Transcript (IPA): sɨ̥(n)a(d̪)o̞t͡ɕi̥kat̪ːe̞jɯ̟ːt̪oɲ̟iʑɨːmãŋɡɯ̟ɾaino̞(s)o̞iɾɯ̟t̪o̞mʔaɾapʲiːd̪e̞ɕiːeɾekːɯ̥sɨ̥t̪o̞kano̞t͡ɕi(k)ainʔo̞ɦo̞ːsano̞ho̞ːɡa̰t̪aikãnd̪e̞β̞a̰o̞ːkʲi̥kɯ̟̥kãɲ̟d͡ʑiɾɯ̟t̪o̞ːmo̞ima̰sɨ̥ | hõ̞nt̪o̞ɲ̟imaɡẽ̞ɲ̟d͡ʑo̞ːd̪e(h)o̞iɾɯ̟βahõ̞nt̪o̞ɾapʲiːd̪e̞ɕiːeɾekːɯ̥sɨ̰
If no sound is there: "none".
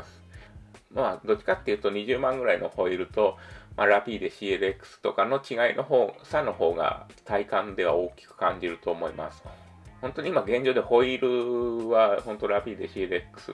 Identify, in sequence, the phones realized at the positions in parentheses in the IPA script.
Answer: m, d̪, h, ɡ, h

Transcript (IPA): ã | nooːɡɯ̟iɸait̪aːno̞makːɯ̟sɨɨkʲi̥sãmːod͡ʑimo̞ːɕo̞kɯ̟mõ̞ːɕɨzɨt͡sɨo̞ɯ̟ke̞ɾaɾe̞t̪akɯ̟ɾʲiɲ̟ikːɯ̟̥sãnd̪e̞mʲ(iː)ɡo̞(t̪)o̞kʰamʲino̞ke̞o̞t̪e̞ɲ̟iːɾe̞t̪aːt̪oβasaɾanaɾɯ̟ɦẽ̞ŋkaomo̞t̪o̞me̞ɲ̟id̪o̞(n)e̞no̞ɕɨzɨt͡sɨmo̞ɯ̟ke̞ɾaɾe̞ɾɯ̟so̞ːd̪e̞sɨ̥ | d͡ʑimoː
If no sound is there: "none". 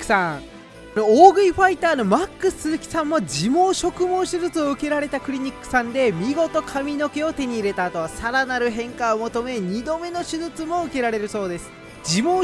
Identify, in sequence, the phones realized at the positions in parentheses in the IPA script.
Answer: i, t̪, m

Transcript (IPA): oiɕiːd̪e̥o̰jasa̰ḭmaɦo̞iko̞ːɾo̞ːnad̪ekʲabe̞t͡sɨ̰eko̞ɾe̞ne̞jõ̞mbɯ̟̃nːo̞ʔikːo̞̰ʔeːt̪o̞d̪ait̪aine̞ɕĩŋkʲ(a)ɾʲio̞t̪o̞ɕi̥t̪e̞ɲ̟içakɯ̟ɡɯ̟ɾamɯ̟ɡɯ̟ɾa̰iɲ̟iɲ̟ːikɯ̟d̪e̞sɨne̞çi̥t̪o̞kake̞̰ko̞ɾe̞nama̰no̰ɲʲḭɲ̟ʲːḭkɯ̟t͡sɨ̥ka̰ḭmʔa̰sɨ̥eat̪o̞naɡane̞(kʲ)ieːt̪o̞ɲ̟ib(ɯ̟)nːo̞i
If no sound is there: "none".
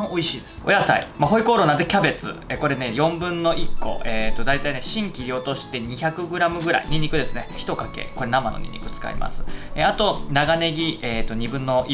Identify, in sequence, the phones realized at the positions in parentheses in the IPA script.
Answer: i, ɡʲ, ɯ̟̃

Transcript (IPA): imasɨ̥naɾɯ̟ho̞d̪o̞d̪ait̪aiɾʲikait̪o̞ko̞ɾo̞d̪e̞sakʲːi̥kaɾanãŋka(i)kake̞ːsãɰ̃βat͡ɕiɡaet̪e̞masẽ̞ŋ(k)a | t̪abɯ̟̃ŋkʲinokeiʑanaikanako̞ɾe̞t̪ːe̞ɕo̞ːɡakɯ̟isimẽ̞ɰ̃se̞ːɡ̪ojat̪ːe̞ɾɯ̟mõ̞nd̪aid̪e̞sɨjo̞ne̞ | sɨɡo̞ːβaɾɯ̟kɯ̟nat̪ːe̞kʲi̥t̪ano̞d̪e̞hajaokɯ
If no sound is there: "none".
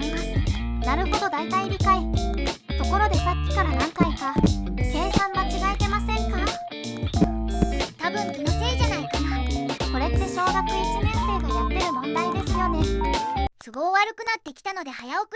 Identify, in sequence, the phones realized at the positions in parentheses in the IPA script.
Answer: i, k

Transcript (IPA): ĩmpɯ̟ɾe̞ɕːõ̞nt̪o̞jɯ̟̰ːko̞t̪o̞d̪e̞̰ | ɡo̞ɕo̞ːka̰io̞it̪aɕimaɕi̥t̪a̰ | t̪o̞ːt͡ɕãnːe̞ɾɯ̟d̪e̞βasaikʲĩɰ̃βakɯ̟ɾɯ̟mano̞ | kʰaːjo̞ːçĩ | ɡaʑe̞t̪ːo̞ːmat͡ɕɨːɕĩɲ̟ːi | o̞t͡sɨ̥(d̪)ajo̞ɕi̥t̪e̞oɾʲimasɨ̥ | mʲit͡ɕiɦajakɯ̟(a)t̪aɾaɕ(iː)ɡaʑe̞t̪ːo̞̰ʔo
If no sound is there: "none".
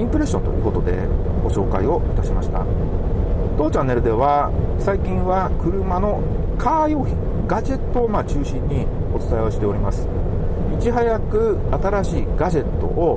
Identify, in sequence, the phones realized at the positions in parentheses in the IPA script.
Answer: t̪, a, iː

